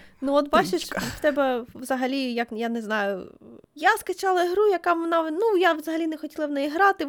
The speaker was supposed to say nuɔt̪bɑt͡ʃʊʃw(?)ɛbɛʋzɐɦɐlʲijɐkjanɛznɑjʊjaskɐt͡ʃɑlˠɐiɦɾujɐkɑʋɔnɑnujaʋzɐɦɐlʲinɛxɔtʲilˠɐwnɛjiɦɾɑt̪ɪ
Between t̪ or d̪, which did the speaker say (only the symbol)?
t̪